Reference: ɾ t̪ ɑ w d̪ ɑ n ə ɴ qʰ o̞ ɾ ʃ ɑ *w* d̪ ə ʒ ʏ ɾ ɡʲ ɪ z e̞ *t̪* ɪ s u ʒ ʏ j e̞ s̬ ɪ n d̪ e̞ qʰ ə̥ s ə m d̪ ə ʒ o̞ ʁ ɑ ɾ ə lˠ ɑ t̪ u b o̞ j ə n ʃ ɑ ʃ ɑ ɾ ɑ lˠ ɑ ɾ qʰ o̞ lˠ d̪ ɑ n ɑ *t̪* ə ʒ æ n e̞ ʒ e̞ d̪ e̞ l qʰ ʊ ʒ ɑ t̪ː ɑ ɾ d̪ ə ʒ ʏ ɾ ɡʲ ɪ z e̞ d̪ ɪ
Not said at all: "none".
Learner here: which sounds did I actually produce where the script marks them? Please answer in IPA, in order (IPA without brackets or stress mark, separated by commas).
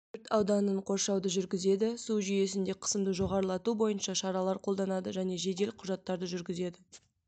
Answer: w, d̪, d̪